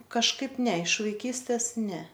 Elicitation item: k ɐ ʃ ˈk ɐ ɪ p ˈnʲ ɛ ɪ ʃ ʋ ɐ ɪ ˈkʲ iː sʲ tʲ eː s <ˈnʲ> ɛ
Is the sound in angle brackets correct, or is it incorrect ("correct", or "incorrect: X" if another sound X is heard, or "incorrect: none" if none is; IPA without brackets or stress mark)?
correct